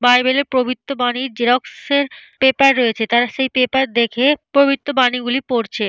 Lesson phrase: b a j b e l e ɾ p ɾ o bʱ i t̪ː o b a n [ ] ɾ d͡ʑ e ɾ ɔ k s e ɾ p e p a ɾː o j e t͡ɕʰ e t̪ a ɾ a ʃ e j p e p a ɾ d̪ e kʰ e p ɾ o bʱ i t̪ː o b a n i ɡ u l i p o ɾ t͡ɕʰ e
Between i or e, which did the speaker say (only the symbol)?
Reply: i